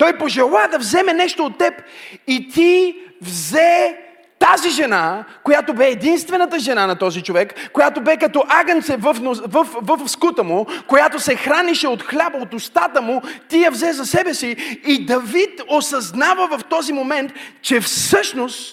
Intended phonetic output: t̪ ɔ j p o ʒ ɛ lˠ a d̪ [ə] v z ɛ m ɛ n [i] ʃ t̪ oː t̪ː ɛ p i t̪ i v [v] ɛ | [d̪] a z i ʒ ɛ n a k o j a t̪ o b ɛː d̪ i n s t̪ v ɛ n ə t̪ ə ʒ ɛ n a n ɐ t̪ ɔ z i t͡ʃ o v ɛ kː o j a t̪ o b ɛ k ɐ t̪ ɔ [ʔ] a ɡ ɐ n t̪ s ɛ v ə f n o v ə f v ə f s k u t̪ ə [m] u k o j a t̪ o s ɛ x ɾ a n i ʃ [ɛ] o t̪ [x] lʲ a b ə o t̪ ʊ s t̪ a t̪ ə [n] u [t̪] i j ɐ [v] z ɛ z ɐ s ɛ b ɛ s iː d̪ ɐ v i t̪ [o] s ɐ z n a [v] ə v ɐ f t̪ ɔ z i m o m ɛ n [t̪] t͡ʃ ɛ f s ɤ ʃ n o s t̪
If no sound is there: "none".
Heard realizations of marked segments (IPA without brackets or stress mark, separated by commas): ɐ, ɛ, z, t̪, ʔ, m, ɛ, x, m, t̪, v, o, v, t̪